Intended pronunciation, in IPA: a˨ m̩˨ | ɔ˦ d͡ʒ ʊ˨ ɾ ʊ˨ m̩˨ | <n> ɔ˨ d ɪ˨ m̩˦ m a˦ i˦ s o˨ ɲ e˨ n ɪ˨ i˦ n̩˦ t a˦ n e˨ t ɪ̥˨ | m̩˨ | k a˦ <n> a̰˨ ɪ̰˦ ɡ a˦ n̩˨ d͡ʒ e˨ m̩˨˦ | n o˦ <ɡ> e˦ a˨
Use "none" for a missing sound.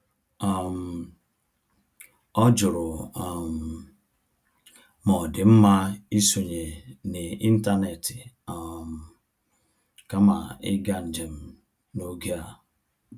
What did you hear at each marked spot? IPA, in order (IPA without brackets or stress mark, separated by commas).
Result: m, m, ɡ